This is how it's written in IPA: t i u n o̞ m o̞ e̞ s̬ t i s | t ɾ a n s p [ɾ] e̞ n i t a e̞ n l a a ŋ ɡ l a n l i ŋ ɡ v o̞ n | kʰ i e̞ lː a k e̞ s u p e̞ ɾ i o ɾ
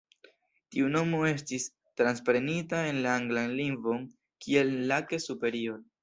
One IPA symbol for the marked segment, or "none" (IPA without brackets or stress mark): ɾ